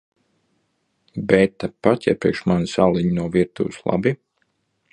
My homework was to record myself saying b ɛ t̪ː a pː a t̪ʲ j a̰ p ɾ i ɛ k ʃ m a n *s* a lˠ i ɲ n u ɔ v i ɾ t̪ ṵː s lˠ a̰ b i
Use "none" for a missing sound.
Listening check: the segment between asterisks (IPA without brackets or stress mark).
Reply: s